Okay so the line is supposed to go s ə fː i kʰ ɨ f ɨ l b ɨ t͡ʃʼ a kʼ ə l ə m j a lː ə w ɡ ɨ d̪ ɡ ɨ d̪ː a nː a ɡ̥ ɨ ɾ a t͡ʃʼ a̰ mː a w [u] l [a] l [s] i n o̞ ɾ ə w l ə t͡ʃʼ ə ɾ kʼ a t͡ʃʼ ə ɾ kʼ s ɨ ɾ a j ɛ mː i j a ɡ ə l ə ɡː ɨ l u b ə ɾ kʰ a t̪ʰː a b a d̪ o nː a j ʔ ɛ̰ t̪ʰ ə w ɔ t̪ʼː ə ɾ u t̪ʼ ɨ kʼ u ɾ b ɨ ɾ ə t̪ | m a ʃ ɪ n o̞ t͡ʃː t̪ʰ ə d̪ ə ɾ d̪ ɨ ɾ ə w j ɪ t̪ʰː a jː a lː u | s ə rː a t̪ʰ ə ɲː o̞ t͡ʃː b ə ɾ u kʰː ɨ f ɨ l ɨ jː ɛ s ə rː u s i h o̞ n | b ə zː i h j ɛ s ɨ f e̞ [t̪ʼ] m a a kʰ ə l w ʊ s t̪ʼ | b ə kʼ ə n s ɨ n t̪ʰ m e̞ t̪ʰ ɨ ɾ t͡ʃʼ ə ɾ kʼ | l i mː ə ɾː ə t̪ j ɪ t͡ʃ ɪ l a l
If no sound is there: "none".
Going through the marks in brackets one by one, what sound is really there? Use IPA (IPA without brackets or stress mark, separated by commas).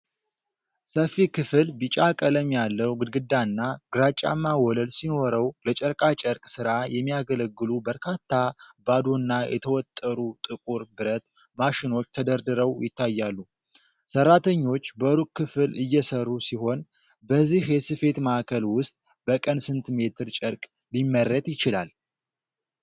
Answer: ɔ, ə, s, t̪